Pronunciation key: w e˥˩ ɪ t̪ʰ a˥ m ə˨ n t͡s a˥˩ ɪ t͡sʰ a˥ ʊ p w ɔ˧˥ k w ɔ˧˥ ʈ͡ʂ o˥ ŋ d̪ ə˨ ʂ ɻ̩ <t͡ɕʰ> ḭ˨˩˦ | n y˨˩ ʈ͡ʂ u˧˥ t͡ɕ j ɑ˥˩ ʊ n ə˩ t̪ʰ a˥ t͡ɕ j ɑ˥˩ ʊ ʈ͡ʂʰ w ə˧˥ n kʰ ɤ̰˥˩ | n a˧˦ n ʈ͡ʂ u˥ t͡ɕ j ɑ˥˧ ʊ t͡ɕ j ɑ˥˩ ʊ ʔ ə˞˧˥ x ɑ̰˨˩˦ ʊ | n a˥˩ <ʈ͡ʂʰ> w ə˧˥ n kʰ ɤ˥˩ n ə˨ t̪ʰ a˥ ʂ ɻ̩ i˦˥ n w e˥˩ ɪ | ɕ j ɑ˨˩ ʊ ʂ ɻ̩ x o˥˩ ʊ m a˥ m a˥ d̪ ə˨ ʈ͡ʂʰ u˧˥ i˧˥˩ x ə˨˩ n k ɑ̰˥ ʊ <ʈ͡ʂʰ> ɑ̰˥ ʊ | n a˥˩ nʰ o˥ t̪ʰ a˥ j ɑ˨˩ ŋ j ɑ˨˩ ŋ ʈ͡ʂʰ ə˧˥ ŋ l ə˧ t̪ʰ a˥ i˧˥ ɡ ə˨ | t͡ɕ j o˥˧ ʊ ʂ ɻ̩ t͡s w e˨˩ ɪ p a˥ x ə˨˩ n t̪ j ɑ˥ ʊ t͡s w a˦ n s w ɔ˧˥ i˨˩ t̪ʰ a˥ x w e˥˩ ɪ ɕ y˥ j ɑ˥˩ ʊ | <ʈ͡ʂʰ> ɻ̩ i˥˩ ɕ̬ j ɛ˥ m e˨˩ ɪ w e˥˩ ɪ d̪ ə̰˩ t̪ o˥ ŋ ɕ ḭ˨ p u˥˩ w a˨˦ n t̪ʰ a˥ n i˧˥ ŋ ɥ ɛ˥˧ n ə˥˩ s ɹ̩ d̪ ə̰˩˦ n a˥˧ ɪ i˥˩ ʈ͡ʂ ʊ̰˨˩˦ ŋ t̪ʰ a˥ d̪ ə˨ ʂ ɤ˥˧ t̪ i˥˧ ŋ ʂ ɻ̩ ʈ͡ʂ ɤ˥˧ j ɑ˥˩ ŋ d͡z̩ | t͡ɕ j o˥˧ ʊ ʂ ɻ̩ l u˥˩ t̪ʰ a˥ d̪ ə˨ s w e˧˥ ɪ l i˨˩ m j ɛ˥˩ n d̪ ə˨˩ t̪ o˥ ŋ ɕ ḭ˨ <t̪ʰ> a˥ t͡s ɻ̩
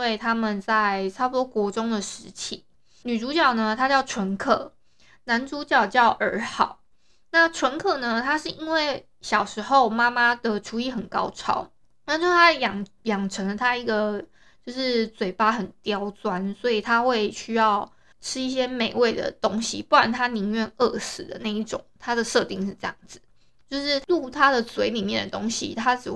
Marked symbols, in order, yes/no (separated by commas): yes, yes, yes, yes, yes